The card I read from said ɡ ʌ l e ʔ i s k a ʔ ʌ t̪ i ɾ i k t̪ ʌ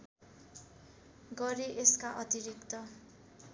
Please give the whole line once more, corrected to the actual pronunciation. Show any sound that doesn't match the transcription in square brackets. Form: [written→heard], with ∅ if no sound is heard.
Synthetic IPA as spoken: ɡ ʌ [l→ɾ] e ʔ [i→e] s k a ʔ ʌ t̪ i ɾ i k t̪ ʌ